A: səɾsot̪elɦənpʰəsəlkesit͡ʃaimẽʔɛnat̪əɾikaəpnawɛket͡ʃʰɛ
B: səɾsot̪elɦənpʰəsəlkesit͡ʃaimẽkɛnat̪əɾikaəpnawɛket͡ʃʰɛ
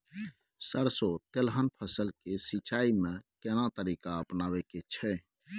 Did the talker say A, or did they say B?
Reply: B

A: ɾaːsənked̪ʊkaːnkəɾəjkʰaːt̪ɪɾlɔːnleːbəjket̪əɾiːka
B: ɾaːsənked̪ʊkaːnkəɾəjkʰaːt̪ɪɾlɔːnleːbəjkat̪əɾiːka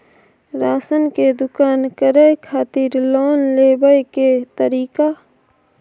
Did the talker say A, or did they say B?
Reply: A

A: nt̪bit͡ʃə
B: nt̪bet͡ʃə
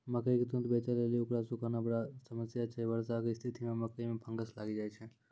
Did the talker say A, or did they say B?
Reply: B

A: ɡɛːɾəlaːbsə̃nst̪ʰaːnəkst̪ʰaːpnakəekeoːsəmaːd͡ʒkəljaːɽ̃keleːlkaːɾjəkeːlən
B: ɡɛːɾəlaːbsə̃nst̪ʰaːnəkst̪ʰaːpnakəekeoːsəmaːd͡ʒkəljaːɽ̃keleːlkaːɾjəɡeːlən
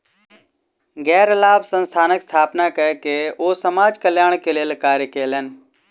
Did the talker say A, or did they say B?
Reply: A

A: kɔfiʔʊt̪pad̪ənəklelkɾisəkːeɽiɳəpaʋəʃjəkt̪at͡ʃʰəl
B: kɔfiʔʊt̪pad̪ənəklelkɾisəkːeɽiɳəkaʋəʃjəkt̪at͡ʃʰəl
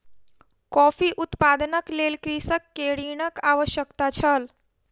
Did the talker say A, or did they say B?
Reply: B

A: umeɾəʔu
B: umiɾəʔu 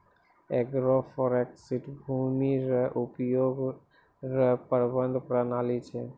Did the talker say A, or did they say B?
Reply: B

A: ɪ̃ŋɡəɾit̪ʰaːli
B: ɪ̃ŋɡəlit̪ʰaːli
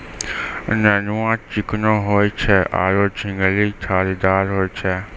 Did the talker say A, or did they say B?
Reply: B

